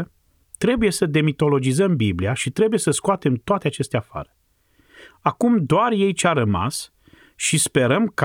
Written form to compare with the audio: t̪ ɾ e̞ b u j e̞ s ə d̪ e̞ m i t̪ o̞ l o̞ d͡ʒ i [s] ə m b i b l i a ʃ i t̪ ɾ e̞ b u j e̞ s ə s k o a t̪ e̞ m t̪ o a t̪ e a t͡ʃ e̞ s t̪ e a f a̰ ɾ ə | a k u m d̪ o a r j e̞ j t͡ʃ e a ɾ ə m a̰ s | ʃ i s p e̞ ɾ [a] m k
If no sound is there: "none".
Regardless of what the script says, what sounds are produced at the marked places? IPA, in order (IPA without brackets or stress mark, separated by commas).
z, ə